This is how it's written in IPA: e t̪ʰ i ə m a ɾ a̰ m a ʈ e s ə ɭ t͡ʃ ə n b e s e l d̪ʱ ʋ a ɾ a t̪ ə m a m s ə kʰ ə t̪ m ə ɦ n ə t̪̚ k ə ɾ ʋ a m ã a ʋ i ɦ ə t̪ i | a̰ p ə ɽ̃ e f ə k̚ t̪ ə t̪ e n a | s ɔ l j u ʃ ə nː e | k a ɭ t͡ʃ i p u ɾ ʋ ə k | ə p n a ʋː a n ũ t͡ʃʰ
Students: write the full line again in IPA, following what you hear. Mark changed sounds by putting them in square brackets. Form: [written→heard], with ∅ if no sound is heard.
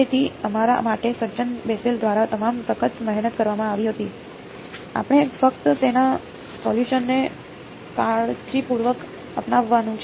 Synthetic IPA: e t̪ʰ i ə m a ɾ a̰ m a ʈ e s ə [ɭ→ɾ] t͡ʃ ə n b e s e l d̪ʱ ʋ a ɾ a t̪ ə m a m s ə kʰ ə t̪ m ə ɦ n ə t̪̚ k ə ɾ ʋ a m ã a ʋ i ɦ ə t̪ i | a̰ p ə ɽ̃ e f ə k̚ t̪ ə t̪ e n a | s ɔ l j u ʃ ə nː e | k a ɭ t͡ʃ i p u ɾ ʋ ə k | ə p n a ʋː a n ũ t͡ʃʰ